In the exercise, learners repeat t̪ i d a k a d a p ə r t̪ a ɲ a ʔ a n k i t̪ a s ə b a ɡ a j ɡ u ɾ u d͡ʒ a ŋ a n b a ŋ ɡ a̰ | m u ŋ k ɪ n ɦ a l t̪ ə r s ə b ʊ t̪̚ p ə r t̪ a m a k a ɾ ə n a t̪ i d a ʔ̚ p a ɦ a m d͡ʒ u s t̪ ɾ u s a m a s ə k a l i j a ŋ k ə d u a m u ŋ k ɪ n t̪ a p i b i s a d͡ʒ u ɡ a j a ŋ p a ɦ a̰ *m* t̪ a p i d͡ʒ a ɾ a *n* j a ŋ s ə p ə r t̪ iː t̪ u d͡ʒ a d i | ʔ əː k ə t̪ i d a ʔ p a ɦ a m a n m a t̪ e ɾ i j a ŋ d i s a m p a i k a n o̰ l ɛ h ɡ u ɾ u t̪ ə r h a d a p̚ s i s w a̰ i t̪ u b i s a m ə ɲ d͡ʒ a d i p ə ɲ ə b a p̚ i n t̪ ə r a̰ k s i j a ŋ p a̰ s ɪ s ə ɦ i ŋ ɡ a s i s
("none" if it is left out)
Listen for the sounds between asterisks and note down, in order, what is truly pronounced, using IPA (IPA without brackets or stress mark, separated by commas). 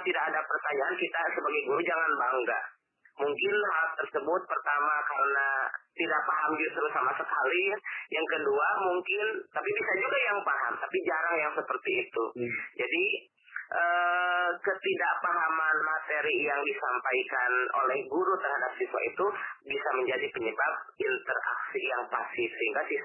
m, ŋ